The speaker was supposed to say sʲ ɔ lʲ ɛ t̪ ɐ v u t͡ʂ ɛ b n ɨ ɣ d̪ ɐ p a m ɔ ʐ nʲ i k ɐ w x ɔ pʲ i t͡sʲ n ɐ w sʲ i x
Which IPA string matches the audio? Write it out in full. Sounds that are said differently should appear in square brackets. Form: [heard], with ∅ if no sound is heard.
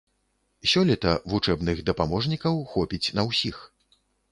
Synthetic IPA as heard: sʲ ɔ lʲ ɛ t̪ ɐ v u t͡ʂ ɛ b n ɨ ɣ d̪ ɐ p a m ɔ ʐ nʲ i k ɐ w x ɔ pʲ i t͡sʲ n ɐ w sʲ i x